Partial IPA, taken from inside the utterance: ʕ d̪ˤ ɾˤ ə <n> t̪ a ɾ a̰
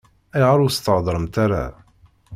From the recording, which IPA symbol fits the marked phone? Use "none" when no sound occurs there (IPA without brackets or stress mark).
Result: m